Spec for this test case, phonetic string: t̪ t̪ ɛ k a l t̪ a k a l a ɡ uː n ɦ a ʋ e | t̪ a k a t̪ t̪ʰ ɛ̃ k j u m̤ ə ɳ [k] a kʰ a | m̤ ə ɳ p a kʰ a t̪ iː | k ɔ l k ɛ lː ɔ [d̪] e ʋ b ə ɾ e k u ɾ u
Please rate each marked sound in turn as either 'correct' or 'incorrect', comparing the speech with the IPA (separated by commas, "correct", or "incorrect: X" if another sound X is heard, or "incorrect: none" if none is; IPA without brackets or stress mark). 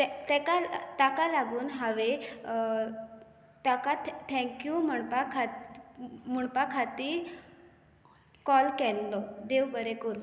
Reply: incorrect: p, correct